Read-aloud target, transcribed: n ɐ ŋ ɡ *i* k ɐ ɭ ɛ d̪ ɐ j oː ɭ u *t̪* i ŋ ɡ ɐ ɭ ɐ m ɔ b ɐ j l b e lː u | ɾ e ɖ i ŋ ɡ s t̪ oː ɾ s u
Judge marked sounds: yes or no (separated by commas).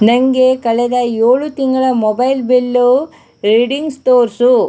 no, yes